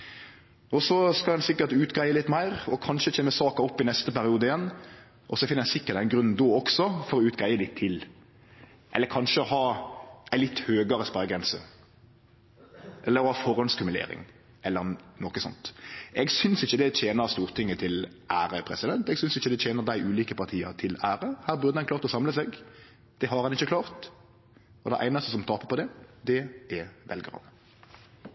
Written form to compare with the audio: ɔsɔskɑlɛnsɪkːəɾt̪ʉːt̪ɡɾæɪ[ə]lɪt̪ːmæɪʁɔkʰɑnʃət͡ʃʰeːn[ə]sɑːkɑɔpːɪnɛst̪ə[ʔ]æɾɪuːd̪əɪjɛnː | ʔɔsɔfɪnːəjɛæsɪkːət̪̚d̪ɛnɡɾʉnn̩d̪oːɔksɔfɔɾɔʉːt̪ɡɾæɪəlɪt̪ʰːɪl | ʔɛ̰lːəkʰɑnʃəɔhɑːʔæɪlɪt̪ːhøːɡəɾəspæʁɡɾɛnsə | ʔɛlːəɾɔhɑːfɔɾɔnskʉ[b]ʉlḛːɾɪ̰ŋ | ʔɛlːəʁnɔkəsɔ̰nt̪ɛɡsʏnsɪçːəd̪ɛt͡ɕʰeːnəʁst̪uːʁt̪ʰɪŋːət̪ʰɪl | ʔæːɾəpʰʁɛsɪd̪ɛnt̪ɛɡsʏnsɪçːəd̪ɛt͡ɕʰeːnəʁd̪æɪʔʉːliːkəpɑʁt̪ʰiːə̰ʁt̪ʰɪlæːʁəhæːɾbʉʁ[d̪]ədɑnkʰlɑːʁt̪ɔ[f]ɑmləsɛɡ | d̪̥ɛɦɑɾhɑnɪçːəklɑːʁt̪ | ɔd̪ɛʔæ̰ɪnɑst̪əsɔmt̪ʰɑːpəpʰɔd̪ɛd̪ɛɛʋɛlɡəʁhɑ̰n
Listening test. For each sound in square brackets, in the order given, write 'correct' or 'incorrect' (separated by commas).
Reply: correct, correct, incorrect, incorrect, correct, incorrect